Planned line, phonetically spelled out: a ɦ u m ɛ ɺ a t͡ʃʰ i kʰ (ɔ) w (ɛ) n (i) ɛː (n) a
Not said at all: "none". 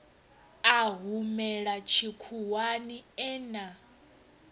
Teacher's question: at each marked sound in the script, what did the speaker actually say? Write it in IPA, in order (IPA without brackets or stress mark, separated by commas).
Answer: u, a, i, n